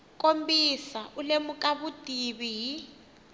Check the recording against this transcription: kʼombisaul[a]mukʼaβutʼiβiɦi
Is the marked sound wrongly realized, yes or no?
yes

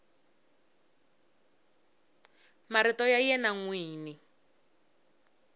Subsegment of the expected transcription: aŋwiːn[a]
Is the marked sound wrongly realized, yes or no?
yes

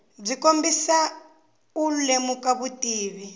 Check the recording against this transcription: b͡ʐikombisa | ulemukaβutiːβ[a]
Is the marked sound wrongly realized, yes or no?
yes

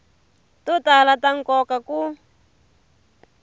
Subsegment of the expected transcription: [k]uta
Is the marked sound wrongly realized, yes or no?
yes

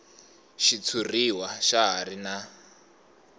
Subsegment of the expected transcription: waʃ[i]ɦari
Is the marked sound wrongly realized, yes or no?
yes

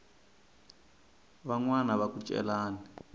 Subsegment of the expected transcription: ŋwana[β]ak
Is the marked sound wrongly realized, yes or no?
no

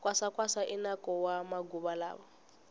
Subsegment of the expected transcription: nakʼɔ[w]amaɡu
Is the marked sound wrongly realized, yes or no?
no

